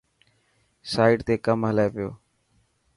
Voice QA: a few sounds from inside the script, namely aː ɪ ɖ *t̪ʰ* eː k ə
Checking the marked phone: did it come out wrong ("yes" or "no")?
yes